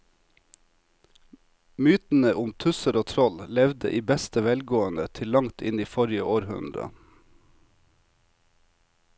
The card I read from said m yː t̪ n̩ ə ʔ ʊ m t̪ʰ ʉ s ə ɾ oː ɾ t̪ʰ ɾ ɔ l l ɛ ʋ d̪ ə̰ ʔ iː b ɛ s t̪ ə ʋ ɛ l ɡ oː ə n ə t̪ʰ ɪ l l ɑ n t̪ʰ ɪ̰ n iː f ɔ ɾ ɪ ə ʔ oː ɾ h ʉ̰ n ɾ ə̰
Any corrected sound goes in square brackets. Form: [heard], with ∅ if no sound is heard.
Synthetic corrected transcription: m yː t̪ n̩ ə ʔ ʊ m t̪ʰ ʉ s ə ɾ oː [∅] t̪ʰ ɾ ɔ l l ɛ ʋ d̪ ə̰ ʔ iː b ɛ s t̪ ə ʋ ɛ l ɡ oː ə n ə t̪ʰ ɪ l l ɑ [ŋ] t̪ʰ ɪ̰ n iː f ɔ ɾ ɪ ə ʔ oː ɾ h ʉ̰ n ɾ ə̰